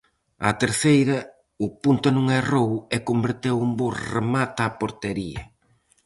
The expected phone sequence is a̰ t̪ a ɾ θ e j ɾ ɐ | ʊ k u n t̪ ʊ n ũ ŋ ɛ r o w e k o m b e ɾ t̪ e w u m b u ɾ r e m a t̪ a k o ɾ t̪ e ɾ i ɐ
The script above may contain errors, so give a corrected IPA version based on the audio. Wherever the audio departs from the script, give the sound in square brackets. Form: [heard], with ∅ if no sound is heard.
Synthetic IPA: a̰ t̪ [e] ɾ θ e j ɾ ɐ | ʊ [p] u n t̪ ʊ n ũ ŋ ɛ r o w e k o m b e ɾ t̪ e w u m b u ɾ r e m a t̪ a [p] o ɾ t̪ e ɾ i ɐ